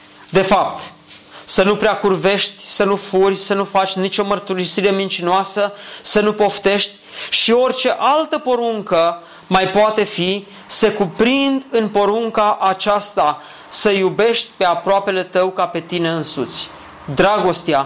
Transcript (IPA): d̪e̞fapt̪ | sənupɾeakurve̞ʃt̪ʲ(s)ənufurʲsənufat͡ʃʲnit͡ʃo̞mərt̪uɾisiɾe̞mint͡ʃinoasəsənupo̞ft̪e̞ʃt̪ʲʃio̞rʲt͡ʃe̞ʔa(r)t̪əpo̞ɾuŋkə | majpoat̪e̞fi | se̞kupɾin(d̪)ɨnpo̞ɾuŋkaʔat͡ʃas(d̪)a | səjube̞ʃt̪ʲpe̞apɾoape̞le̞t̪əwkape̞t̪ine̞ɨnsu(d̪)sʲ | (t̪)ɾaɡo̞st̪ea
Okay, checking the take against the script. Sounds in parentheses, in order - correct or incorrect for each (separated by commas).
correct, incorrect, correct, incorrect, incorrect, incorrect